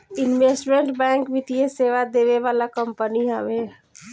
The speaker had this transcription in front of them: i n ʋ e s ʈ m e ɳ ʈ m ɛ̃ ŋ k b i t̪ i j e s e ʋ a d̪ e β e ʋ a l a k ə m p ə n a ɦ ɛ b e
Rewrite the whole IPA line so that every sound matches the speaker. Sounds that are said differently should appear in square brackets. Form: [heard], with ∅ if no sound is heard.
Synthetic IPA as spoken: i n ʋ e s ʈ m e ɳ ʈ [b] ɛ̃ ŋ k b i t̪ i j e s e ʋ a d̪ e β e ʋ a l a k ə m p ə n [i] ɦ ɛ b e